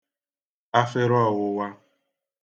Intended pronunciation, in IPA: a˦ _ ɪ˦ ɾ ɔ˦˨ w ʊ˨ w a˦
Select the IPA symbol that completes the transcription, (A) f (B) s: A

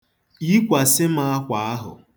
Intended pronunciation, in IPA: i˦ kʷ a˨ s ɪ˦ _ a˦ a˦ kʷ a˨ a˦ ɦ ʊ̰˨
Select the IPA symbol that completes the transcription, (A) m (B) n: A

